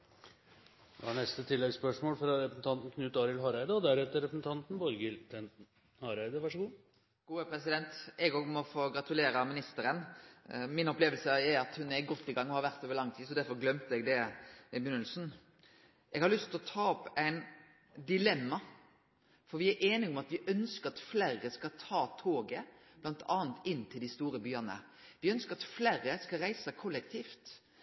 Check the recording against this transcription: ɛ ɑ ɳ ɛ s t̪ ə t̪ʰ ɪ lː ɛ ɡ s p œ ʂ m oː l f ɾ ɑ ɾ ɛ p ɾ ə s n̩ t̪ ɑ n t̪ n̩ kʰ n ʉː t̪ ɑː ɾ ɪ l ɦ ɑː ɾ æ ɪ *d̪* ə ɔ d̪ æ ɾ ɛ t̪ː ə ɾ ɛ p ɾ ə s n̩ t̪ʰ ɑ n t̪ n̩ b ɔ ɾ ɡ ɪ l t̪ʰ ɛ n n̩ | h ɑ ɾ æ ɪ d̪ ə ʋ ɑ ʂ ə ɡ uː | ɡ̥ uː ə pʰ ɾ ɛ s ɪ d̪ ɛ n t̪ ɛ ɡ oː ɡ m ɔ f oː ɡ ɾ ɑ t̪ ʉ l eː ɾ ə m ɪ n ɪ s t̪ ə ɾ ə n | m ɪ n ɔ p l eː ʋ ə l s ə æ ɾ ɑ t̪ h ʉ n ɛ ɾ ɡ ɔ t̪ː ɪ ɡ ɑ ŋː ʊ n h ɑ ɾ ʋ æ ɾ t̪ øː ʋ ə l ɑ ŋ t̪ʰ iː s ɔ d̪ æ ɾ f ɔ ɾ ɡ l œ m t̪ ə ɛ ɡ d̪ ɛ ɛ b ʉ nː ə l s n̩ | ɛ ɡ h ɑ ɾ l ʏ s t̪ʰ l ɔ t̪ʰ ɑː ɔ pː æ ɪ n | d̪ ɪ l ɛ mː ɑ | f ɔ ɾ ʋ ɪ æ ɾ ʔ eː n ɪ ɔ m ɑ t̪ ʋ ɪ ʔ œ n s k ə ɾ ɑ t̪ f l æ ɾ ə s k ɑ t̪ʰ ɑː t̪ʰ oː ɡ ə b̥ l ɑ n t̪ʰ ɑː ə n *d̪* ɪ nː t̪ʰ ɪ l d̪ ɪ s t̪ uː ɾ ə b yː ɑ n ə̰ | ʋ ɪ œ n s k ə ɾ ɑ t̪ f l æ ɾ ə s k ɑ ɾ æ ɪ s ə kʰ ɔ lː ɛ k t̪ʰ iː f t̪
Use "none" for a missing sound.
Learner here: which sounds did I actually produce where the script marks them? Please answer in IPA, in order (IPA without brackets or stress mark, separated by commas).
d̪, t̪